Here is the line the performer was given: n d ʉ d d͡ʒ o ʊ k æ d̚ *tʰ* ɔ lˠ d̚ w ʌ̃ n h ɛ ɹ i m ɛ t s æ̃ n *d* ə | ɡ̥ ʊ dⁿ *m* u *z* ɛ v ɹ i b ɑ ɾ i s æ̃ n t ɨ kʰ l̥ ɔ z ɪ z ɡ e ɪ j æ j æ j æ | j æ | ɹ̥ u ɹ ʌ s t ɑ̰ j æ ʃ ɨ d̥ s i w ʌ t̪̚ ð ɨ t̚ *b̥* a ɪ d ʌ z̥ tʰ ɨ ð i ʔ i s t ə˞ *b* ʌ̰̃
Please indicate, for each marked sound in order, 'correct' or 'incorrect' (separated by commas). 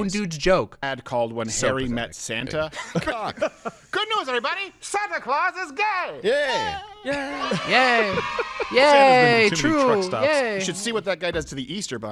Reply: incorrect, incorrect, incorrect, correct, incorrect, correct